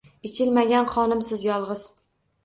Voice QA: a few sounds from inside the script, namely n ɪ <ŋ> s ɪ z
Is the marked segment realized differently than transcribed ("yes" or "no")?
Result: yes